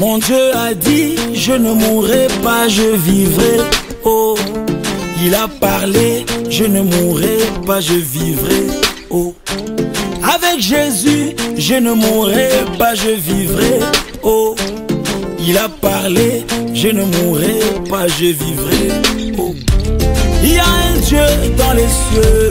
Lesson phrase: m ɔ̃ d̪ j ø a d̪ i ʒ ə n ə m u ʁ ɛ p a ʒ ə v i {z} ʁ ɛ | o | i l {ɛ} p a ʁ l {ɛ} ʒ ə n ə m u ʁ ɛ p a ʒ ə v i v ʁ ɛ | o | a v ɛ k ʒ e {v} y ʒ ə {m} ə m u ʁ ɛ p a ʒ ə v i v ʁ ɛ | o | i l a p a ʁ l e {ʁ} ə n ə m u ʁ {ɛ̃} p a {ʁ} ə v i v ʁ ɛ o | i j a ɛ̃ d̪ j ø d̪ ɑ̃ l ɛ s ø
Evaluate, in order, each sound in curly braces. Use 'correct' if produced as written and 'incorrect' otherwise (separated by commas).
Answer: incorrect, incorrect, incorrect, incorrect, incorrect, incorrect, incorrect, incorrect